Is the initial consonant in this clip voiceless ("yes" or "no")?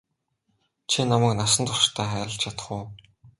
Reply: yes